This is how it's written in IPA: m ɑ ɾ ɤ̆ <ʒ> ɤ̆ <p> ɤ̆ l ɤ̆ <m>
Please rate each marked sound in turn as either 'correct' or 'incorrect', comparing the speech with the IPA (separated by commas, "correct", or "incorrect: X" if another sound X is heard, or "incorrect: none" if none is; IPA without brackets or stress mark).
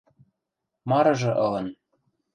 correct, incorrect: ʔ, incorrect: n